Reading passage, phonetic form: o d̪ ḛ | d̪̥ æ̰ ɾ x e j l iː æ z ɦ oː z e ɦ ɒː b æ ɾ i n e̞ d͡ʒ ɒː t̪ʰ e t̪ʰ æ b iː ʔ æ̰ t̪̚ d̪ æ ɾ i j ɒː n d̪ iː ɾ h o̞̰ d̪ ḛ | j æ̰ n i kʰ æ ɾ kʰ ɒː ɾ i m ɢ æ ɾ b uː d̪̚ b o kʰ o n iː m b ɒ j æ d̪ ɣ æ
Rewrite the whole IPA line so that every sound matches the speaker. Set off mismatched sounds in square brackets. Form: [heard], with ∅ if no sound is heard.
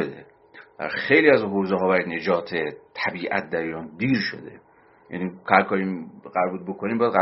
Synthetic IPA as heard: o d̪ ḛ | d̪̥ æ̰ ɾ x e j l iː æ z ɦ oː z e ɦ ɒː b æ ɾ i n e̞ d͡ʒ ɒː t̪ʰ e t̪ʰ æ b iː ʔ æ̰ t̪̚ d̪ æ ɾ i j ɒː n d̪ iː ɾ [ʃ] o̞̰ d̪ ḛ | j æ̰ n i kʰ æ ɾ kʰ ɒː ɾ i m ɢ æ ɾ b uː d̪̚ b o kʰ o n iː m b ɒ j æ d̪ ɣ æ